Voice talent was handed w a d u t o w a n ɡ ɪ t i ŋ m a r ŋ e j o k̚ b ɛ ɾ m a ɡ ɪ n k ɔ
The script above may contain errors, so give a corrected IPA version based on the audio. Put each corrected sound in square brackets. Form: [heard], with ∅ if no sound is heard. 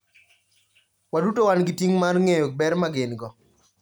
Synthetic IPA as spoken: w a d u t o w a n ɡ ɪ t i ŋ m a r ŋ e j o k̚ b ɛ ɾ m a ɡ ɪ n [ɡ] ɔ